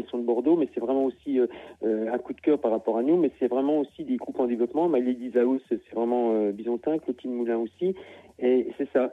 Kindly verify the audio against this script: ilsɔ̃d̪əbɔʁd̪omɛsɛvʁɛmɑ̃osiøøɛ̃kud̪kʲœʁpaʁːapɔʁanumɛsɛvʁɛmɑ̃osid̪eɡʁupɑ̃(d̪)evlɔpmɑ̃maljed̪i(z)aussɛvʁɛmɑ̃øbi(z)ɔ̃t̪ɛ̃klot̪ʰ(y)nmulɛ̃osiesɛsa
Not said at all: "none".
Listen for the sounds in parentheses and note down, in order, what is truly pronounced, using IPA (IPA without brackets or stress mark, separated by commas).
d̪, z, z, i